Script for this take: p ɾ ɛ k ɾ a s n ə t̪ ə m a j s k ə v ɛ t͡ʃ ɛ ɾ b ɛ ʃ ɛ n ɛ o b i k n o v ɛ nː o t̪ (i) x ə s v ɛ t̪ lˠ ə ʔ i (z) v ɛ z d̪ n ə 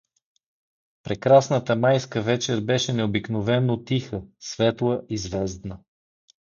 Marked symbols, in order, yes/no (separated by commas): yes, yes